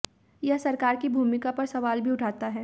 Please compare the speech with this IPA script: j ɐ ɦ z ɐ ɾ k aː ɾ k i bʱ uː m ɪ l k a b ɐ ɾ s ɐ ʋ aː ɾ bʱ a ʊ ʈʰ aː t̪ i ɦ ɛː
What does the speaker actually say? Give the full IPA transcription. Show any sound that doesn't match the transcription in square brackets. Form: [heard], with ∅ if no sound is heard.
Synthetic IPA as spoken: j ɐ ɦ [s] ɐ ɾ k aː ɾ k i bʱ uː m ɪ [∅] k a [p] ɐ ɾ s ɐ ʋ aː [l] bʱ [i] ʊ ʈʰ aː t̪ [a] ɦ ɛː